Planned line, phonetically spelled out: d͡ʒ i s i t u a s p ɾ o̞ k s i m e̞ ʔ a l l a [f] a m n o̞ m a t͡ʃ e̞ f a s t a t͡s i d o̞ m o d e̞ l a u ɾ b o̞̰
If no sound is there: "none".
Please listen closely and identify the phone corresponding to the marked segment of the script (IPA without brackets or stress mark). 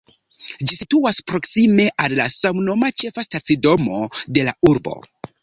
s